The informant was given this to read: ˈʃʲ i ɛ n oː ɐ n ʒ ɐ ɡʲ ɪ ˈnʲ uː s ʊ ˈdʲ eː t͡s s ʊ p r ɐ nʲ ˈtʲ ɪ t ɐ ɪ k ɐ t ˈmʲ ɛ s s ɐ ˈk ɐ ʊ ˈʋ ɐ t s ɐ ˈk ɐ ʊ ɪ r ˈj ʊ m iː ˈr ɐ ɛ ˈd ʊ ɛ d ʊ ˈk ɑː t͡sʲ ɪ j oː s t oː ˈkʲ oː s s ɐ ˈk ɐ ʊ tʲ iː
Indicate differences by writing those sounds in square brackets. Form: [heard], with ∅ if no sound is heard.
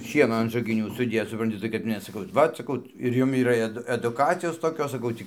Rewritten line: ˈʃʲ i ɛ n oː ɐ n ʒ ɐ ɡʲ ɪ ˈnʲ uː s ʊ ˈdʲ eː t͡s s ʊ p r ɐ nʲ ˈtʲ ɪ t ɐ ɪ k ɐ t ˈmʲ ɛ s s ɐ ˈk ɐ ʊ ˈʋ ɐ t s ɐ ˈk ɐ ʊ ɪ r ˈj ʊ m iː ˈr ɐ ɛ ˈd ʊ ɛ d ʊ ˈk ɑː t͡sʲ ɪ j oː s t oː ˈkʲ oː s s ɐ ˈk ɐ ʊ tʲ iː